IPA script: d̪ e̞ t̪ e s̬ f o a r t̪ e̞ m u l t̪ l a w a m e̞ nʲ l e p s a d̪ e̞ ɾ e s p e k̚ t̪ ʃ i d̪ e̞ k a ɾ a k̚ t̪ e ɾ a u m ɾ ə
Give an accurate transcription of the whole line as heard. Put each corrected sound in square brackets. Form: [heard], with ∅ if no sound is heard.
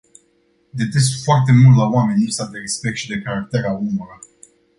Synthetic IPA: d̪ e̞ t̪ e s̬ f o a r t̪ e̞ m u l t̪ l a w a m e̞ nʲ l [i] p s a d̪ e̞ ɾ e s p e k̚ t̪ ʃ i d̪ e̞ k a ɾ a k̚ t̪ e ɾ a u m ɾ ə

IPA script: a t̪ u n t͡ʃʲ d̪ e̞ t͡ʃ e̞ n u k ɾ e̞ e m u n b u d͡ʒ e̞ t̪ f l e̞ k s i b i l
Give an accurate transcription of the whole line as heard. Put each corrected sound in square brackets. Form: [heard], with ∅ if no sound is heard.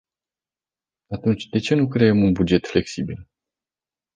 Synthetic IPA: a t̪ u n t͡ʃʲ d̪ e̞ t͡ʃ e̞ n u k ɾ e̞ e m u n b u d͡ʒ e̞ t̪ f l e̞ k s i b i l

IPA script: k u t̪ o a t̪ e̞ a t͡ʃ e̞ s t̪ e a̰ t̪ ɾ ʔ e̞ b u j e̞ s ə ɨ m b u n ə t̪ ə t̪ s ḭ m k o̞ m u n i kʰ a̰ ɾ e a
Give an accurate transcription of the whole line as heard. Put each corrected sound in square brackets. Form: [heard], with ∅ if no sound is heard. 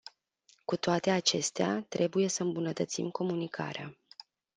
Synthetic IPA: k u t̪ o a t̪ e̞ a t͡ʃ e̞ s t̪ e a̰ t̪ ɾ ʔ e̞ b u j e̞ s ə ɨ m b u n ə t̪ ə t̪ s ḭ m k o̞ m u n i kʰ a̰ ɾ e a

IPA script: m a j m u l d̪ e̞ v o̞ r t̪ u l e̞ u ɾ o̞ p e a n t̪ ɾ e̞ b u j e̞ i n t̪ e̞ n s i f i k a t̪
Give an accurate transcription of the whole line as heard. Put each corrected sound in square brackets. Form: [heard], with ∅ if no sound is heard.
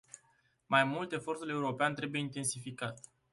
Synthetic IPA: m a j m u l [t̪] e̞ [f] o̞ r t̪ u l e̞ u ɾ o̞ p e a n t̪ ɾ e̞ b u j e̞ i n t̪ e̞ n s i f i k a t̪

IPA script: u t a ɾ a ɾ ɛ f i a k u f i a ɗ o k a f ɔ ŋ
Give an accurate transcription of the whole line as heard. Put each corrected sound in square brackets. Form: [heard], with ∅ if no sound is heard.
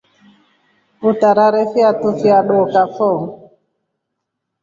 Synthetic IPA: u t a ɾ a ɾ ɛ f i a [t] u f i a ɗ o k a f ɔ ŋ

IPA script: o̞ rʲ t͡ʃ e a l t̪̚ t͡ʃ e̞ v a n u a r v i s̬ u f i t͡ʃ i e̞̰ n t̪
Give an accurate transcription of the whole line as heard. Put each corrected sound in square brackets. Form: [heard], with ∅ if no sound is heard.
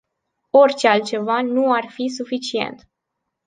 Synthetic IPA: o̞ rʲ t͡ʃ e a l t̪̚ t͡ʃ e̞ v a n u a r [f] i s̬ u f i t͡ʃ i e̞̰ n t̪

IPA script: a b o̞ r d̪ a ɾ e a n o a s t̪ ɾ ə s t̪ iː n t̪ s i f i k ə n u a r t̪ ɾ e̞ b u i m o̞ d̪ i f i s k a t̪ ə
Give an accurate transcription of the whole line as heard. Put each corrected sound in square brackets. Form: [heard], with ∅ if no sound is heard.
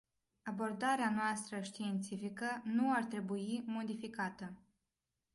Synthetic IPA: a b o̞ r d̪ a ɾ e a n o a s t̪ ɾ ə [ʃ] t̪ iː n t̪ s i f i k ə n u a r t̪ ɾ e̞ b u i m o̞ d̪ i f i [∅] k a t̪ ə

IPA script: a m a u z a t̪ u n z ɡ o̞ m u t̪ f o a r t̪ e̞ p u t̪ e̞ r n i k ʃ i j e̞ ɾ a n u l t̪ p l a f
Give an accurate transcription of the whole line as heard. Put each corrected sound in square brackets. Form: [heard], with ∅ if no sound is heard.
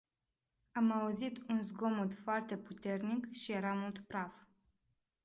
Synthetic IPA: a m a u z [i] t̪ u n z ɡ o̞ m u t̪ f o a r t̪ e̞ p u t̪ e̞ r n i k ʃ i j e̞ ɾ a [m] u l t̪ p [ɾ] a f

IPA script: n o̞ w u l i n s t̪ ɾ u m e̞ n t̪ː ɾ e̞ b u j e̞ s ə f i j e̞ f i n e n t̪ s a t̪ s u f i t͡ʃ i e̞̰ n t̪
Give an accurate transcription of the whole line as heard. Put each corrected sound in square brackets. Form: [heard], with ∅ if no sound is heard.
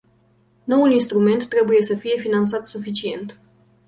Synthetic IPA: n o̞ w u l i n s t̪ ɾ u m e̞ n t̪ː ɾ e̞ b u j e̞ s ə f i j e̞ f i n [a] n t̪ s a t̪ s u f i t͡ʃ i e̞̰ n t̪

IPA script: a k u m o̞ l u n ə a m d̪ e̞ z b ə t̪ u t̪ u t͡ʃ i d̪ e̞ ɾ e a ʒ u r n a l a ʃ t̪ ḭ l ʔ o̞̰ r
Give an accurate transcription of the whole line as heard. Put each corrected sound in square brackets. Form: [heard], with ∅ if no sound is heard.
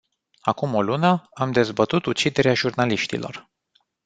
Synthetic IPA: a k u m o̞ l u n ə a m d̪ e̞ z b ə t̪ u t̪ u t͡ʃ i d̪ e̞ ɾ e a ʒ u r n a l [i] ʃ t̪ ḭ l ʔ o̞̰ r

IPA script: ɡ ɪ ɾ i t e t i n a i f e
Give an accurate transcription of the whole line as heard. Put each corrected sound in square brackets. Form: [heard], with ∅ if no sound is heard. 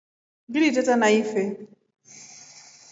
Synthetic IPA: ɡ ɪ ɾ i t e t [a] n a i f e

